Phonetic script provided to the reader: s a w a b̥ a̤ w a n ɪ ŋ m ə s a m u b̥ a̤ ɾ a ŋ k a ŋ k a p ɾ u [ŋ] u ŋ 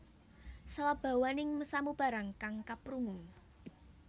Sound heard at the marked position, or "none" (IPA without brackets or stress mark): ŋ